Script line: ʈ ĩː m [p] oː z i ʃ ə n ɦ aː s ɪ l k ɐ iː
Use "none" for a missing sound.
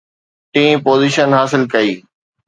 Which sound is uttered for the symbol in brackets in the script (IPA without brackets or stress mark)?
p